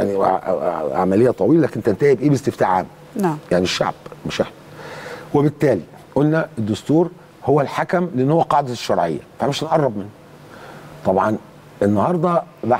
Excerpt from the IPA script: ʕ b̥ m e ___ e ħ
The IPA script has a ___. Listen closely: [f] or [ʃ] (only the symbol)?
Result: ʃ